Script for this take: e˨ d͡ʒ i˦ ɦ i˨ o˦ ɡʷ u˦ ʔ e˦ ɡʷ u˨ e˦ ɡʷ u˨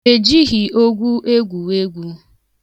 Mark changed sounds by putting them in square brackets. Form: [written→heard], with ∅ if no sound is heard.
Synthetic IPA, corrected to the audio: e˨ d͡ʒ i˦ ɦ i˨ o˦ ɡʷ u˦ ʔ e˦ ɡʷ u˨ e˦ ɡʷ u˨